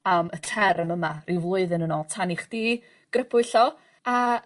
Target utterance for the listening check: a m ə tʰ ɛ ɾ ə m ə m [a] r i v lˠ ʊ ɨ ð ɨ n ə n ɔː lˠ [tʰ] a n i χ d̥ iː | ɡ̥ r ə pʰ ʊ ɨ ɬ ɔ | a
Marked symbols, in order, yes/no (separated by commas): yes, yes